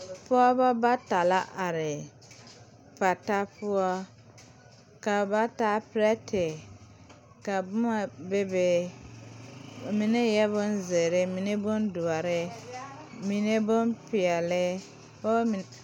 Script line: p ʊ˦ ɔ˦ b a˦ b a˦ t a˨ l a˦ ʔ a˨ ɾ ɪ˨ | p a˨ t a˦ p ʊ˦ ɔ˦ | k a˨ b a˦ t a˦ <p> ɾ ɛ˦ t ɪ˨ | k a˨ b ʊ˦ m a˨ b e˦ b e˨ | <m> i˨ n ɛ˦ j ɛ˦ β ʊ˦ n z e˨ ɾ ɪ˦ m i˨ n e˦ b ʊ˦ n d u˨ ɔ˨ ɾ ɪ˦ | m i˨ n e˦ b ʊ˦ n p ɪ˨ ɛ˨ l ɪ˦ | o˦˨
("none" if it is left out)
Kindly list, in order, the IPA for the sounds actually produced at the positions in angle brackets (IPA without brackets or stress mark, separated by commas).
p, m